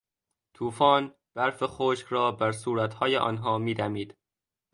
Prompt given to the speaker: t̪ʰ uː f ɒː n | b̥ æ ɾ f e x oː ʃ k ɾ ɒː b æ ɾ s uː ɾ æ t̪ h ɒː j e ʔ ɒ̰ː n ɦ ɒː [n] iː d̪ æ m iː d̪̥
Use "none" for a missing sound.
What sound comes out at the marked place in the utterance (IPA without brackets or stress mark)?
m